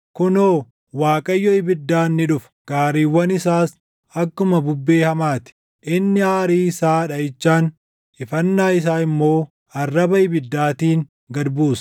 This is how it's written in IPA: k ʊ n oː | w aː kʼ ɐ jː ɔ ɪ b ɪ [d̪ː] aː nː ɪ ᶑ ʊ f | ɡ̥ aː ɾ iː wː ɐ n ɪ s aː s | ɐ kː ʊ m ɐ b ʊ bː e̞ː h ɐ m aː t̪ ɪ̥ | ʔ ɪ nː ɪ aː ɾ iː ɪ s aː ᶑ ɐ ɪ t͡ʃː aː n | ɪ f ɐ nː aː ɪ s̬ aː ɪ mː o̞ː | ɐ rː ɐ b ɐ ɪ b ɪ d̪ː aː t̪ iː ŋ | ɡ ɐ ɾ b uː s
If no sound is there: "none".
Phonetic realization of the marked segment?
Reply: d̪ː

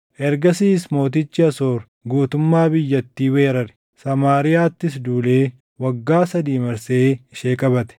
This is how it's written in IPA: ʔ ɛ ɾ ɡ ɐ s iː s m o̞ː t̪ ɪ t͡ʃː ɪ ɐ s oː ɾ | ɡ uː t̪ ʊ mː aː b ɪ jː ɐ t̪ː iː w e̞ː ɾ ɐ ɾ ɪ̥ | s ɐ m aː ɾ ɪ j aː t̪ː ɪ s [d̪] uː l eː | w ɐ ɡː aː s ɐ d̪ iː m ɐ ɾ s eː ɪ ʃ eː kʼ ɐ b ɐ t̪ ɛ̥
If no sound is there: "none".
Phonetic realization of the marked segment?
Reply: d̪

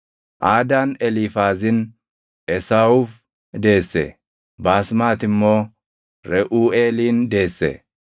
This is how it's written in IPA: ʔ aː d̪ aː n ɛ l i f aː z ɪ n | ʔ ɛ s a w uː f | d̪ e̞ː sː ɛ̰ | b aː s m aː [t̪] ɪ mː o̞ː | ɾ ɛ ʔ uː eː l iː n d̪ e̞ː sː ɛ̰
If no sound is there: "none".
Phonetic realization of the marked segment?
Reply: t̪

